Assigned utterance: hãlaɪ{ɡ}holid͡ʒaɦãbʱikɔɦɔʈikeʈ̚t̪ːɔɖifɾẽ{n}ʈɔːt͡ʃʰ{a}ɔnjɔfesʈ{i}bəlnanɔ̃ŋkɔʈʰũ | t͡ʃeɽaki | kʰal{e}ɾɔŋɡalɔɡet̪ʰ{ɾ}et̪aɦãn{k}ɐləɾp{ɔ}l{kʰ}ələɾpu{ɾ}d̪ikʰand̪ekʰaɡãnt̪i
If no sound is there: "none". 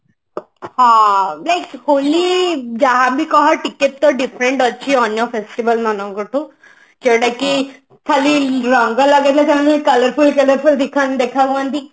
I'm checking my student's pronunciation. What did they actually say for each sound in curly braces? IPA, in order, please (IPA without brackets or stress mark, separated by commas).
k, ɳ, i, i, i, l, k, u, k, l